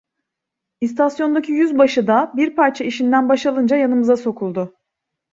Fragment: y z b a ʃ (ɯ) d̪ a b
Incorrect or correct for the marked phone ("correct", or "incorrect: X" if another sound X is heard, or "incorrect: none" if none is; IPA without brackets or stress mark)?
correct